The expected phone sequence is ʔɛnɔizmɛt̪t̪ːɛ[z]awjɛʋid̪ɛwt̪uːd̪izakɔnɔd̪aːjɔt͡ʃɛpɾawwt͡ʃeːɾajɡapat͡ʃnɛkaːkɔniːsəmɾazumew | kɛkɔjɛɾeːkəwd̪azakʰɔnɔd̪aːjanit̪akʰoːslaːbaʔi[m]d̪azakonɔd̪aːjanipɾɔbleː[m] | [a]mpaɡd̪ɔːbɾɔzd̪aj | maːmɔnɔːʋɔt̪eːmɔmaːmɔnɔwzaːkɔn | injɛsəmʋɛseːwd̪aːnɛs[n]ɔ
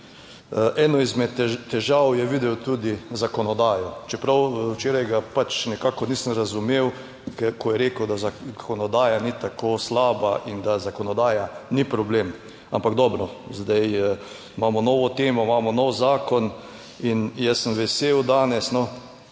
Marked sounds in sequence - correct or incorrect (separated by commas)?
incorrect, incorrect, correct, correct, correct